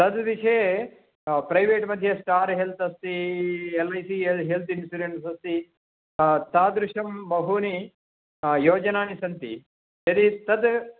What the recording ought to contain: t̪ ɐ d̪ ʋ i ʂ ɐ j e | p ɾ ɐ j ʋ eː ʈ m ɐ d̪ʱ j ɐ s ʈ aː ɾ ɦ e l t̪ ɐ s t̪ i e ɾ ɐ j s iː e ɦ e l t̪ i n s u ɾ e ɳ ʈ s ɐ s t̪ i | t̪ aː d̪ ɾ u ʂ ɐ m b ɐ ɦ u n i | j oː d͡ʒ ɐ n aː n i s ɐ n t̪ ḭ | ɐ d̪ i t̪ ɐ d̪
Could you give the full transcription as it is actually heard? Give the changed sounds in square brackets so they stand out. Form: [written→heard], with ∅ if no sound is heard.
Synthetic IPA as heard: t̪ ɐ d̪ ʋ i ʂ ɐ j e | p ɾ ɐ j ʋ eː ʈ m ɐ d̪ʱ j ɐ s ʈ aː ɾ ɦ e l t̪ ɐ s t̪ i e [ɾ→l] ɐ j s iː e ɦ e l t̪ i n s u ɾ e ɳ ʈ s ɐ s t̪ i | t̪ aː d̪ ɾ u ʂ ɐ m b ɐ ɦ u n i | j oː d͡ʒ ɐ n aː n i s ɐ n t̪ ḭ | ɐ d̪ i t̪ ɐ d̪